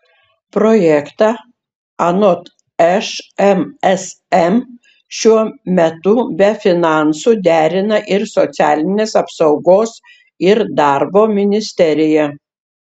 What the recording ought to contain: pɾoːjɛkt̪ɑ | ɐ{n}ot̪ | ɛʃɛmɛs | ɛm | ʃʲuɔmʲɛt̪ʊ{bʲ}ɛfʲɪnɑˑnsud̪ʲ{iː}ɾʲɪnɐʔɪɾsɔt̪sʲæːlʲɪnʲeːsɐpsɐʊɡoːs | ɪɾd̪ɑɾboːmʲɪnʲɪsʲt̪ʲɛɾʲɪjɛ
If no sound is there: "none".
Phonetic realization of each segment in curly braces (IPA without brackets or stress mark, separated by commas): n, bʲ, æː